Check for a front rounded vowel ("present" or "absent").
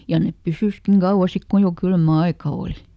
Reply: present